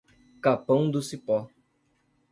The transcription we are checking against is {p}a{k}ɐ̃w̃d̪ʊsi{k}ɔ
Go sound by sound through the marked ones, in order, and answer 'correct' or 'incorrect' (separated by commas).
incorrect, incorrect, incorrect